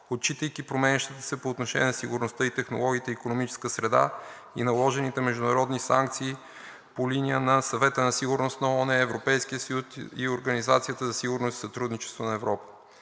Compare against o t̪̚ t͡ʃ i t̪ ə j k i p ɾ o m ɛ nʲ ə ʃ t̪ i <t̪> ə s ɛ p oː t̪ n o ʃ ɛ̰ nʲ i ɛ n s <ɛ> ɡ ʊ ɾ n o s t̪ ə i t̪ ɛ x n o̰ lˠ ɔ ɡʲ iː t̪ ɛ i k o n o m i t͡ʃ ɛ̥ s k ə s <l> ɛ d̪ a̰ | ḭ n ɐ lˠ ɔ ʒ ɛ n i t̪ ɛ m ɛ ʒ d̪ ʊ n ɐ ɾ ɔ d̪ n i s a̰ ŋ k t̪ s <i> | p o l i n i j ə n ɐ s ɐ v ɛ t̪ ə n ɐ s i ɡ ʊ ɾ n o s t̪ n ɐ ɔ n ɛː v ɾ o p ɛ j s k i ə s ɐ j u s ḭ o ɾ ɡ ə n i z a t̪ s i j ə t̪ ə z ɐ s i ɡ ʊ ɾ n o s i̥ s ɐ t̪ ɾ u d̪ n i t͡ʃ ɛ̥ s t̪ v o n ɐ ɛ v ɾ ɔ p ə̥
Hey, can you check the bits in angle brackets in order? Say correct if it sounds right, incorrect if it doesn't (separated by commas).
correct, incorrect, incorrect, incorrect